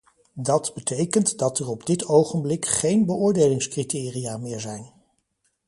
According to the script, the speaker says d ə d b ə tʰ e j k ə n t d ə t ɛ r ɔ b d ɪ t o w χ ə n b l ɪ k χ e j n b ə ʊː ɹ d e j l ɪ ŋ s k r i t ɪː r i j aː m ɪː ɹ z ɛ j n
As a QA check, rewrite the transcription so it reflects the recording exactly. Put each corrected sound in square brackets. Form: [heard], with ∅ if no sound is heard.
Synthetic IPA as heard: d [ɑ] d b ə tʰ e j k ə n t d [ɑ] t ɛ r ɔ b d ɪ t o w χ ə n b l ɪ k χ e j n b ə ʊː ɹ d e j l ɪ ŋ s k r i t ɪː r i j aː m ɪː ɹ z ɛ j n